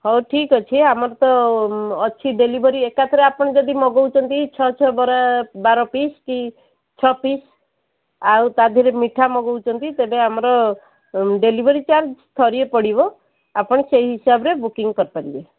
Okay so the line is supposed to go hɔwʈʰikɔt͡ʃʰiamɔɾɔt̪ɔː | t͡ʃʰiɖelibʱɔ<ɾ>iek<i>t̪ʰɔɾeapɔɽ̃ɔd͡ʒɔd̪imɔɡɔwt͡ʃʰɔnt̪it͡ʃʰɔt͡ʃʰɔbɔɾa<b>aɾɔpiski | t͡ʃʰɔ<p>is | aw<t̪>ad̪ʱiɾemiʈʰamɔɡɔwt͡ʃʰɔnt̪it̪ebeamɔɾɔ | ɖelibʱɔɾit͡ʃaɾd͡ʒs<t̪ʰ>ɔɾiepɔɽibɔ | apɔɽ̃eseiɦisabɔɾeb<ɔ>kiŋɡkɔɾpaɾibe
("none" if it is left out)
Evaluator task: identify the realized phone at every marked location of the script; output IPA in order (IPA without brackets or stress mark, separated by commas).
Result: ɾ, a, b, p, t̪, t̪ʰ, u